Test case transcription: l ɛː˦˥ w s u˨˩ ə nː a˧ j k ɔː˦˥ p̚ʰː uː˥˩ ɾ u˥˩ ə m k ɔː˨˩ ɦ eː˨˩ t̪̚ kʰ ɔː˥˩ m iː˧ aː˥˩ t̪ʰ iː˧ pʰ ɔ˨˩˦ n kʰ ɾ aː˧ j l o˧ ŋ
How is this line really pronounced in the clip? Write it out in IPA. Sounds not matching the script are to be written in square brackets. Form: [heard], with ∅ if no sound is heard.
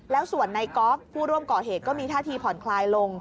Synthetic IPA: l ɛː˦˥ w s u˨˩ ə nː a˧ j k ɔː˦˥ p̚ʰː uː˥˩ ɾ u˥˩ ə m k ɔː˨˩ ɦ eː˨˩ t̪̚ [k] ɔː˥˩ m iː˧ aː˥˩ t̪ʰ iː˧ pʰ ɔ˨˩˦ n kʰ [l] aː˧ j l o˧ ŋ